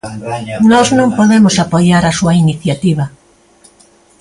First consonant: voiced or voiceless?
voiced